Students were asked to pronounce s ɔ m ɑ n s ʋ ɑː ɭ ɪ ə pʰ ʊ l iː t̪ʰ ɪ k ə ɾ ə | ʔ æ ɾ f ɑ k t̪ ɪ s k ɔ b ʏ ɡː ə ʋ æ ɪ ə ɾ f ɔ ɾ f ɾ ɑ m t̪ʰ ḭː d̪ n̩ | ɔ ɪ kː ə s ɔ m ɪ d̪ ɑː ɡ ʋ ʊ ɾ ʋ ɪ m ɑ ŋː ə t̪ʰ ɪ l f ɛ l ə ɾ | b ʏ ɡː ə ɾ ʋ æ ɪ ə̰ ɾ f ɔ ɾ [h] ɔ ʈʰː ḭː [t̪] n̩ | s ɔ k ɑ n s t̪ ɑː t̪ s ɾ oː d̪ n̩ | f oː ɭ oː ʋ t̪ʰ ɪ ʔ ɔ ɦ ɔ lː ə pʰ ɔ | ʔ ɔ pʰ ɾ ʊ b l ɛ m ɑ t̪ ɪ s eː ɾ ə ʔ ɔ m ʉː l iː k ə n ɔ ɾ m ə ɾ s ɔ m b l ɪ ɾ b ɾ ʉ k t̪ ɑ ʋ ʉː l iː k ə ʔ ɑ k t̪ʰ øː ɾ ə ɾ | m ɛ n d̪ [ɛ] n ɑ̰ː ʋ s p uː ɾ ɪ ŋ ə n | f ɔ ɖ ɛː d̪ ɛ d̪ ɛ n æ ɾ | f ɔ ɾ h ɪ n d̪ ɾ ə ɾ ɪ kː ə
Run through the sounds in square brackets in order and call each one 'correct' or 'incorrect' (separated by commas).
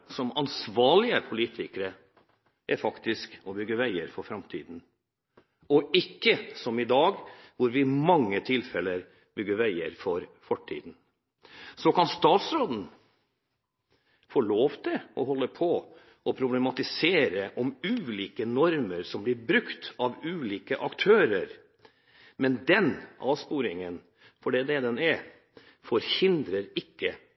incorrect, incorrect, correct